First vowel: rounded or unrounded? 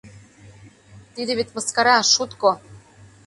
unrounded